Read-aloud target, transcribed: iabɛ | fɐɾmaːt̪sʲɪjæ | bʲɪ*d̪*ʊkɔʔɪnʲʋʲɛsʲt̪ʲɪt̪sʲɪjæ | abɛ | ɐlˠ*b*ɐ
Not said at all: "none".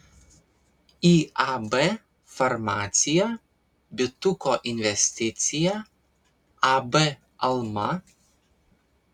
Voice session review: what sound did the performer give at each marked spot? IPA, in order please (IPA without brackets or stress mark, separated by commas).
t̪, m